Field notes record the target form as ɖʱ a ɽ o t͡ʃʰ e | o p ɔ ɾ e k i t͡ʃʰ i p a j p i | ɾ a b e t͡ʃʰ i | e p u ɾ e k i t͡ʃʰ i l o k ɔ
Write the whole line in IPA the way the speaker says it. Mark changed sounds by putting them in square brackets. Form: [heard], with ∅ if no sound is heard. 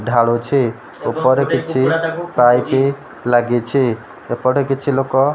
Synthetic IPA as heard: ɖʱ a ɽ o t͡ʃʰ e | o p ɔ ɾ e k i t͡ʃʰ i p a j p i | [l] a [ɡ] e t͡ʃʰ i | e p [ɔ] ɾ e k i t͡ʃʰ i l o k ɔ